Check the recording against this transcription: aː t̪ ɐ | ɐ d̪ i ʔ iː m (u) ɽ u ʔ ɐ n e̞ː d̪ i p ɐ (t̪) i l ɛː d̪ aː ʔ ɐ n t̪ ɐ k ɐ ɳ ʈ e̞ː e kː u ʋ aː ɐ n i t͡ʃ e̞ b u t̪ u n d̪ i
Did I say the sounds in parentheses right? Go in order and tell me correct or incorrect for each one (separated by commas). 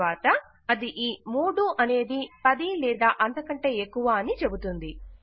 incorrect, incorrect